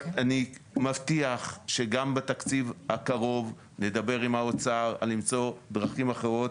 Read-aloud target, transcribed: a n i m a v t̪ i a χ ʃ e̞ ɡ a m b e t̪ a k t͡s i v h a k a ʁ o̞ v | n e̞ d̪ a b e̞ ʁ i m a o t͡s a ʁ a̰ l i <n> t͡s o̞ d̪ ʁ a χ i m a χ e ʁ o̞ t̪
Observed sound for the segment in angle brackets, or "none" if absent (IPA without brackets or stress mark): m